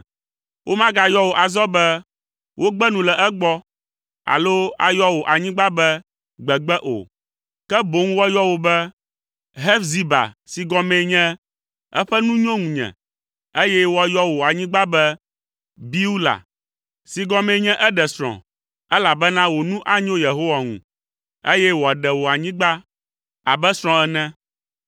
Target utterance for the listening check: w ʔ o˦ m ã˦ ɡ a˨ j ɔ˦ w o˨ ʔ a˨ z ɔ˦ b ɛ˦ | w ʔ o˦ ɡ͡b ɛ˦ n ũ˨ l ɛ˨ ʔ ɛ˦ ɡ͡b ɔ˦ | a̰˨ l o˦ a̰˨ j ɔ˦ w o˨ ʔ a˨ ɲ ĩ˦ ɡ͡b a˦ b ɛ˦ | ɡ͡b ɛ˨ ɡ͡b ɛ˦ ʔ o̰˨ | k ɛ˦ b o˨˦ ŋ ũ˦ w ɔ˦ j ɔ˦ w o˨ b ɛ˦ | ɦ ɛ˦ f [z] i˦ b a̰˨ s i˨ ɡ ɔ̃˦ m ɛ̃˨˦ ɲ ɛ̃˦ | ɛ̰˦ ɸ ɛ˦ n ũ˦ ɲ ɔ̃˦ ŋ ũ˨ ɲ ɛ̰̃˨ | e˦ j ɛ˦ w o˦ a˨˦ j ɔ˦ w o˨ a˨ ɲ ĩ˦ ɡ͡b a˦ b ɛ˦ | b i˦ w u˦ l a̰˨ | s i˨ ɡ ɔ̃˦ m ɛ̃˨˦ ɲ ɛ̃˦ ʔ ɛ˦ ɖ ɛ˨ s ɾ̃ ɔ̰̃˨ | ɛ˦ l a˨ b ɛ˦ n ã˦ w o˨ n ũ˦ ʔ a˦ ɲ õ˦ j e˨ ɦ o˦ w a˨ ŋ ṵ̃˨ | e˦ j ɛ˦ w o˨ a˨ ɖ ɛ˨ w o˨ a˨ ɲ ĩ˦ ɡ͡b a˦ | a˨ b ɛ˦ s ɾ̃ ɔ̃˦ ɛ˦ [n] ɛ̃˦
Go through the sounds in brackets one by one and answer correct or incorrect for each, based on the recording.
correct, correct

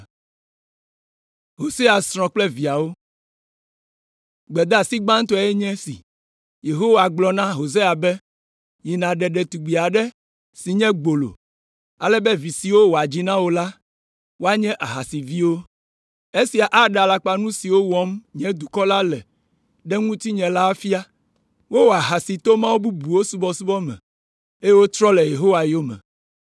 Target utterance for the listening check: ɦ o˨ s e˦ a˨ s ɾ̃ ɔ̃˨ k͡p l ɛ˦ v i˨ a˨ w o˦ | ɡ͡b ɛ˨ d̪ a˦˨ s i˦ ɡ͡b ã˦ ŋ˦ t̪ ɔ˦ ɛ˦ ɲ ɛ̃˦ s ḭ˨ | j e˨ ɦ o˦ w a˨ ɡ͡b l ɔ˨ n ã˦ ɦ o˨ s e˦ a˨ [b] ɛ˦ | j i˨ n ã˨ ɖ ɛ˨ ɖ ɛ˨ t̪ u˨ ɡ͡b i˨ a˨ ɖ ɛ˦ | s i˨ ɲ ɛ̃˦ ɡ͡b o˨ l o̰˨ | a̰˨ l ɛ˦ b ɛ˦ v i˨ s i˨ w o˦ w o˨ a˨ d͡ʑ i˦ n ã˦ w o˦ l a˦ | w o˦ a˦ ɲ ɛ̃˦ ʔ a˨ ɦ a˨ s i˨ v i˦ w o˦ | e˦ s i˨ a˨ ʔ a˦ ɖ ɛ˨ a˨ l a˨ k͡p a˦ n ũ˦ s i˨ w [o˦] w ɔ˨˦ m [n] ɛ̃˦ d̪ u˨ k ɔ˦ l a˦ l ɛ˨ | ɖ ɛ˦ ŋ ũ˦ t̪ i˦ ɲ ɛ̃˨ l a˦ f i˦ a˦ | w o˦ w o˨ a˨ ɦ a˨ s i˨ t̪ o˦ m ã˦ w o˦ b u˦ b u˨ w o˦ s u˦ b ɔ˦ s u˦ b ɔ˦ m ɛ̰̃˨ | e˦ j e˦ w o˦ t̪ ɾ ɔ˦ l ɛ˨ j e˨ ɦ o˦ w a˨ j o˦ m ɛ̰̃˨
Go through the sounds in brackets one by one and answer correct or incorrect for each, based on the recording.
correct, correct, incorrect

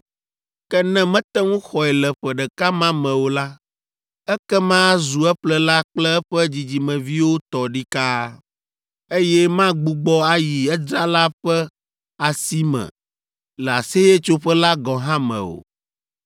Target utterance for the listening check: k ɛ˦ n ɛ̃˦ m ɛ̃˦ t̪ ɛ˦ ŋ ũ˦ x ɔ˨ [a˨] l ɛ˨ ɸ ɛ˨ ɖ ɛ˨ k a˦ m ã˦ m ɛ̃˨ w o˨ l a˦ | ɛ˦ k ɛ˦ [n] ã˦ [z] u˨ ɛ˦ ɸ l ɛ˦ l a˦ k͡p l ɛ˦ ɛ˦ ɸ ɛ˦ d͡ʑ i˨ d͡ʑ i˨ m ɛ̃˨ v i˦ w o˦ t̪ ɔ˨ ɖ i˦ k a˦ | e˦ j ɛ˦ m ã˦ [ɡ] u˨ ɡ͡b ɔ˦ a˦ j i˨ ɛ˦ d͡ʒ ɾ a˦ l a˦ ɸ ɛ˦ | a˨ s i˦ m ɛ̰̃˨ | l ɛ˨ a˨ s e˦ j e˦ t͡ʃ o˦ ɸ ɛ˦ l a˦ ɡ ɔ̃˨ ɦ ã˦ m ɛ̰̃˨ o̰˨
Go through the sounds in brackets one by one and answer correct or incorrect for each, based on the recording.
incorrect, incorrect, correct, incorrect

